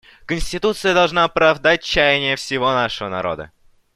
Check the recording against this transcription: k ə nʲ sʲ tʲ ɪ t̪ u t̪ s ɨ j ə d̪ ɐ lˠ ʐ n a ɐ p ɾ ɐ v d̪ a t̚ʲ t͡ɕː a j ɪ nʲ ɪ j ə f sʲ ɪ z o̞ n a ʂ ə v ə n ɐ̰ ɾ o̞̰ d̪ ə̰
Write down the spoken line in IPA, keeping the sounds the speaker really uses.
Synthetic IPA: k ə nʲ sʲ tʲ ɪ t̪ u t̪ s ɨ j ə d̪ ɐ lˠ ʐ n a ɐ p ɾ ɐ v d̪ a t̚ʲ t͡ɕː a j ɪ nʲ ɪ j ə f sʲ ɪ v o̞ n a ʂ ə v ə n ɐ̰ ɾ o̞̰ d̪ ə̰